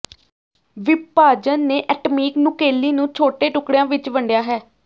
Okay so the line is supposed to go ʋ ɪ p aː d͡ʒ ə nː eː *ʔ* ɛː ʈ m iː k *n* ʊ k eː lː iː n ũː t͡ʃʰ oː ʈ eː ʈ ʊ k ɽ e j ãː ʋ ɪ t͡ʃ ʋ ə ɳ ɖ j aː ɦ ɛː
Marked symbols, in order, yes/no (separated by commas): yes, yes